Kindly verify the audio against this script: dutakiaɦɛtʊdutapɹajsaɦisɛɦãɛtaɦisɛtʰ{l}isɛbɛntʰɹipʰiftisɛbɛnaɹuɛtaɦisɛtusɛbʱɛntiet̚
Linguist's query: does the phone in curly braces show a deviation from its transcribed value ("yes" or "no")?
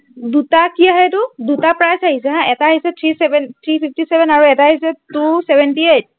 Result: yes